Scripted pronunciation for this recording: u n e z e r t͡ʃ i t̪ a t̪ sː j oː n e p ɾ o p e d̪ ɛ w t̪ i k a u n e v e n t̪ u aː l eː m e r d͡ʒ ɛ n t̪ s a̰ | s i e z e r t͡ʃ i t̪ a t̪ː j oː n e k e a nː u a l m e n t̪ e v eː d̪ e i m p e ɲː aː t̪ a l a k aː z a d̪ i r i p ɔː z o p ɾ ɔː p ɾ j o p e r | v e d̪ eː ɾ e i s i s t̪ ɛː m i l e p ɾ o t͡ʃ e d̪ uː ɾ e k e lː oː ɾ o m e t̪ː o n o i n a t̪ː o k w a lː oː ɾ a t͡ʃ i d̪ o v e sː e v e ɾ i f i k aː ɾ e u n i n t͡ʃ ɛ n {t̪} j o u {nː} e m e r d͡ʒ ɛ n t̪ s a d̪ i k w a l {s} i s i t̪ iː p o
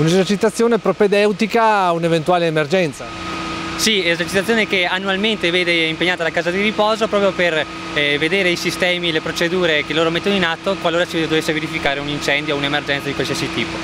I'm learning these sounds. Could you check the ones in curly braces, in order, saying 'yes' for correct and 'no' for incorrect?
no, no, yes

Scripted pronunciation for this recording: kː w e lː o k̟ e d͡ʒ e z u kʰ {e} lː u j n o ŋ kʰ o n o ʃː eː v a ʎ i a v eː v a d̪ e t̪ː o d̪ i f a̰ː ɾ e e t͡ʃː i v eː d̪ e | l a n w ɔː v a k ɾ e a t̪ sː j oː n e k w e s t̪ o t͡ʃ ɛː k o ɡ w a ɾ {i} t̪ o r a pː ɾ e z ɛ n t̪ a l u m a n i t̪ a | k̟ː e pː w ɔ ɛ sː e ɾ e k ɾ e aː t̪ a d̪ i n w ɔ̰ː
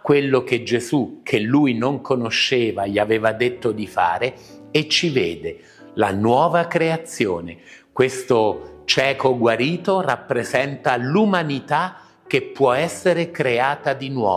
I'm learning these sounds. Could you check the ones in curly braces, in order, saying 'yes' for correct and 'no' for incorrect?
yes, no

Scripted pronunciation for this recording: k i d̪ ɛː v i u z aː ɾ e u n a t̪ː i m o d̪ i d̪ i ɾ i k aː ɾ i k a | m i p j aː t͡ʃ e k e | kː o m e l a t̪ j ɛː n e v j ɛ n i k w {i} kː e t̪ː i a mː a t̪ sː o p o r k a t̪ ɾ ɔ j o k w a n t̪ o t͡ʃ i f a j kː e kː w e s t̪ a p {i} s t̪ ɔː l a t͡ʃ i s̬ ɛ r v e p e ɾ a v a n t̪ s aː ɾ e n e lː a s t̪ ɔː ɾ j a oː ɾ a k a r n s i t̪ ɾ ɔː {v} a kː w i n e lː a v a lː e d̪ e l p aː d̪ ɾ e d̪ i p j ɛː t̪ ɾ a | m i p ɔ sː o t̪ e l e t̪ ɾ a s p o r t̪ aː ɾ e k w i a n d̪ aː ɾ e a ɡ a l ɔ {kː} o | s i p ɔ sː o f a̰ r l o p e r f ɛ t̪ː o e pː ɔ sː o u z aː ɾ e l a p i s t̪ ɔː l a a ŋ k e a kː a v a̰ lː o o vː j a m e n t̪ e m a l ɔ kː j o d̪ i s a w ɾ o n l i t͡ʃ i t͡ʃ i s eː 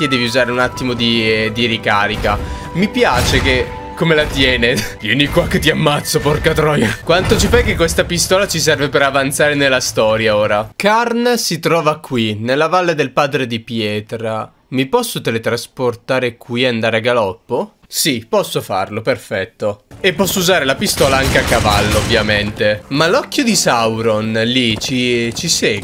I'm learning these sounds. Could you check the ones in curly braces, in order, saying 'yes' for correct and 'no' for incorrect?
no, yes, yes, no

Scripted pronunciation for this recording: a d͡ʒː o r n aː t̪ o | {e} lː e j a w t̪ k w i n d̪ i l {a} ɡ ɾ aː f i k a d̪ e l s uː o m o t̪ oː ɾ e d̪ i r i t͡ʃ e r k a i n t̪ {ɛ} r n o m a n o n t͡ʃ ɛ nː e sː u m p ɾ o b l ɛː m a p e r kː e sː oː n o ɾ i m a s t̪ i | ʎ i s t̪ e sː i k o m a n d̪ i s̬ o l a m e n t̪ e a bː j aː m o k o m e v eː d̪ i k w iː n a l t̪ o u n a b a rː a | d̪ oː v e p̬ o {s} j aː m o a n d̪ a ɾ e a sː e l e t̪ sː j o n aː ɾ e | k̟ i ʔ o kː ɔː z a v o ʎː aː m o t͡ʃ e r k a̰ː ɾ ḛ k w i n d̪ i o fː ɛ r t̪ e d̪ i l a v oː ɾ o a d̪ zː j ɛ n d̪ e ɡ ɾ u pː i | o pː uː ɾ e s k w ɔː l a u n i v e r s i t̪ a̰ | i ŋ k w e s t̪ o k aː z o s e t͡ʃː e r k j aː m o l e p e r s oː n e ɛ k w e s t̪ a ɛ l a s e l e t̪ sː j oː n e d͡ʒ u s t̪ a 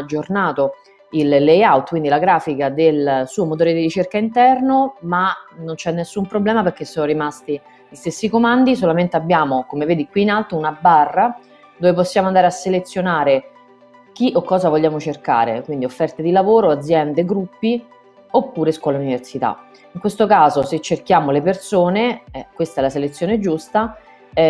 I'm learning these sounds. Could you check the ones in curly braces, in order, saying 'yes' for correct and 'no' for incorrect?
no, yes, yes, no

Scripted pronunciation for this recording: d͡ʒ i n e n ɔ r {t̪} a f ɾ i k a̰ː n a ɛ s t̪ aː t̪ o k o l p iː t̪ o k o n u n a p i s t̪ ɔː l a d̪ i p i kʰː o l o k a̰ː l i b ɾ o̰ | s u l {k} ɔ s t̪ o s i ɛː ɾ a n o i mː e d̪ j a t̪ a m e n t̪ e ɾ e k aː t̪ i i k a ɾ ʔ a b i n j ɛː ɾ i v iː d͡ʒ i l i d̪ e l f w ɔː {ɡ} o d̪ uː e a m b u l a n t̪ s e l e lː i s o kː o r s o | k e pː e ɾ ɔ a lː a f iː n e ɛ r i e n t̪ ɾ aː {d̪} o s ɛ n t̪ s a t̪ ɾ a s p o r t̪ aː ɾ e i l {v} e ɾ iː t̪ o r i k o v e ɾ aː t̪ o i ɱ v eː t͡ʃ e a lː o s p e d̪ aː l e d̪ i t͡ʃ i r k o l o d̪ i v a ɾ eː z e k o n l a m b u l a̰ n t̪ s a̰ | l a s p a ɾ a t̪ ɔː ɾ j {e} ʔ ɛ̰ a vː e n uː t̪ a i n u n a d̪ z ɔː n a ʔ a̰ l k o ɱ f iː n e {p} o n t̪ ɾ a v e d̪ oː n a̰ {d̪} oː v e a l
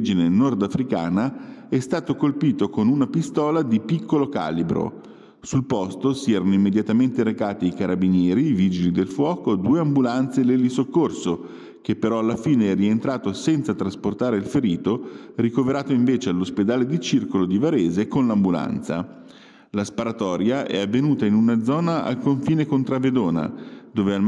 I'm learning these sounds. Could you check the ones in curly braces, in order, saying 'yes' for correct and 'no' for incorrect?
no, no, no, no, no, no, no, yes

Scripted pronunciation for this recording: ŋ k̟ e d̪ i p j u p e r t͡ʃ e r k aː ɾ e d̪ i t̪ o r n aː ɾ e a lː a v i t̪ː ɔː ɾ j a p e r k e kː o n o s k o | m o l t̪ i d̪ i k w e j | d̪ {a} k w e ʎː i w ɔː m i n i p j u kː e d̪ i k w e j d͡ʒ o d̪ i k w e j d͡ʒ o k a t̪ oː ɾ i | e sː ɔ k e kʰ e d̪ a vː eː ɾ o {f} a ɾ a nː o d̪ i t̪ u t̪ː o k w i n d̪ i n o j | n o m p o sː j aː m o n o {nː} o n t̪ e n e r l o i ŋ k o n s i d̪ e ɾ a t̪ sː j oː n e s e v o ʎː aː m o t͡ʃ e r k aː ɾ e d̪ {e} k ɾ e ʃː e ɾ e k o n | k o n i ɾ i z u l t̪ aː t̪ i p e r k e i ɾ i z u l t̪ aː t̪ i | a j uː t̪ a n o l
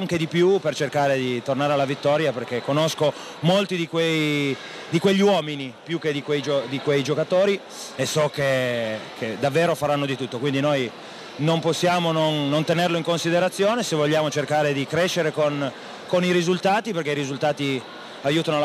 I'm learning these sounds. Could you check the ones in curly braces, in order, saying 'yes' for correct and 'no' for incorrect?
no, yes, yes, no

